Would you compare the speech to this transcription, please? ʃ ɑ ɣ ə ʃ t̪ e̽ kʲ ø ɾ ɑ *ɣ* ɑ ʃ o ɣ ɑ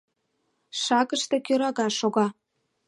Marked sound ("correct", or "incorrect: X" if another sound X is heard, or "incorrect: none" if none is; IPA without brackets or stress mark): correct